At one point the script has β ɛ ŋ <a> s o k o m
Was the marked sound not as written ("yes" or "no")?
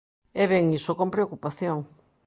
yes